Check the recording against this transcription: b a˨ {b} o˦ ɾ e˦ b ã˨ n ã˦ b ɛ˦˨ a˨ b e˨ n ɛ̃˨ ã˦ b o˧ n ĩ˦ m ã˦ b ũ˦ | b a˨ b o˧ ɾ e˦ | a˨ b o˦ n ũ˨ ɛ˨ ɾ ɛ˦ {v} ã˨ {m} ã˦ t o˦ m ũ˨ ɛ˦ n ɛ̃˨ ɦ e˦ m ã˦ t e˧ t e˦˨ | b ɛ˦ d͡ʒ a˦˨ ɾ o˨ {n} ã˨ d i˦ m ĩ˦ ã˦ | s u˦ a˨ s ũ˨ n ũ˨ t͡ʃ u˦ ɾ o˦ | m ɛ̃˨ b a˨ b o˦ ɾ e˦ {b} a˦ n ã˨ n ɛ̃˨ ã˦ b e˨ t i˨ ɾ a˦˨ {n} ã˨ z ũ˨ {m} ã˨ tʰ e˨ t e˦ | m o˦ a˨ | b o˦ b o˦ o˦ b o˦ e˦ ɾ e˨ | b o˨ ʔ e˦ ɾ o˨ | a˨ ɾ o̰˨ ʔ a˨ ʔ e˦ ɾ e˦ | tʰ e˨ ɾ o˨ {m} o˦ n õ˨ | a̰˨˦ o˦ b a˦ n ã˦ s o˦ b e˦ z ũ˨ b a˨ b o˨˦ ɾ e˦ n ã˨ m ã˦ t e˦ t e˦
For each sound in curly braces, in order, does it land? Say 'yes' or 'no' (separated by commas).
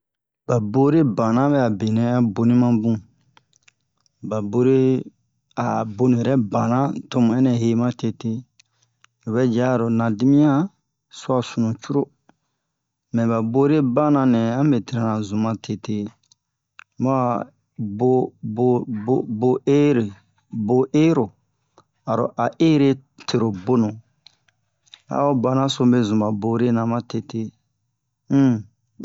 yes, no, no, yes, yes, yes, yes, no